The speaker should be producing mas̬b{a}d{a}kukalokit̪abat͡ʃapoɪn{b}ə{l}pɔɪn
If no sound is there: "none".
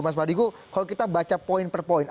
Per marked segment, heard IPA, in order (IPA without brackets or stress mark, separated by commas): a, i, p, r